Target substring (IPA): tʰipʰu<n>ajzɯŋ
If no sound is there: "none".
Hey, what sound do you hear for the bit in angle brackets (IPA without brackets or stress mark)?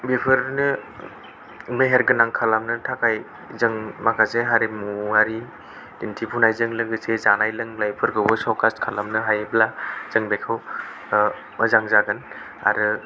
n